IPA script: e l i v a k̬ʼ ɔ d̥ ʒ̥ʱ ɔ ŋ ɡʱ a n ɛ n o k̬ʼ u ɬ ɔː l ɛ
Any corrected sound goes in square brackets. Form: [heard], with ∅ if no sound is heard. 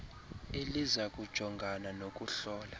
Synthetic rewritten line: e l i [z] a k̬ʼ [u] d̥ ʒ̥ʱ ɔ ŋ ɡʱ a n [a] n o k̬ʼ u ɬ ɔː l [a]